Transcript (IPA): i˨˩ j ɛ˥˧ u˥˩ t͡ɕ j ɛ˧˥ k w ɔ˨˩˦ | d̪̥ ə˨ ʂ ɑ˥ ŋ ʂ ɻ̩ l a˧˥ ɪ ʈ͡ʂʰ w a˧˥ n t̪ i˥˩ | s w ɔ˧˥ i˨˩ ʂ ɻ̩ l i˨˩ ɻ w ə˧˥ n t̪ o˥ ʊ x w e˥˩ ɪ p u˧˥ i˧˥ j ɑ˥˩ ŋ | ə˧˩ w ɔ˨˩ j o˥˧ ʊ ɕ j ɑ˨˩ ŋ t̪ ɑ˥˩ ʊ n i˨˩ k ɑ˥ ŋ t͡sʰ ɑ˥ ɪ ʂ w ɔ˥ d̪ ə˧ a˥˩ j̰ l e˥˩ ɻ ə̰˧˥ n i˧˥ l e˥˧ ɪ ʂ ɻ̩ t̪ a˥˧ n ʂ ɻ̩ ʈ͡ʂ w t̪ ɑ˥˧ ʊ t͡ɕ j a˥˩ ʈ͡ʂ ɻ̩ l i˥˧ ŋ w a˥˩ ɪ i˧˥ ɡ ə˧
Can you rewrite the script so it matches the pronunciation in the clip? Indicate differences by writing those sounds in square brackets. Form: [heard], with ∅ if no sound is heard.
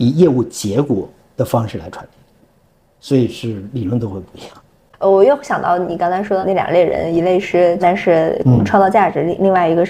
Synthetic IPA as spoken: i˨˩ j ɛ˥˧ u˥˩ t͡ɕ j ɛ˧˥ k w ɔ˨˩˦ | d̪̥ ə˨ [f] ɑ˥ ŋ ʂ ɻ̩ l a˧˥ ɪ ʈ͡ʂʰ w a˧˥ n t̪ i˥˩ | s w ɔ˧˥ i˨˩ ʂ ɻ̩ l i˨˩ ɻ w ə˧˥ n t̪ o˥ ʊ x w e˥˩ ɪ p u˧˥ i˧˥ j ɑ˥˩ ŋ | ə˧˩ w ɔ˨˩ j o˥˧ ʊ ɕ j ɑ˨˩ ŋ t̪ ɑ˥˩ ʊ n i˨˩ k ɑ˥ ŋ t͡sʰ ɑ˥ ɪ ʂ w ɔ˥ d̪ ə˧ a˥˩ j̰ l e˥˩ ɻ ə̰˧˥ n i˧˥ l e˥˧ ɪ ʂ ɻ̩ t̪ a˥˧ n ʂ ɻ̩ [ʈ͡ʂʰ] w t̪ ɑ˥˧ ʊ t͡ɕ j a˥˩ ʈ͡ʂ ɻ̩ l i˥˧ ŋ w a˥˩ ɪ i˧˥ ɡ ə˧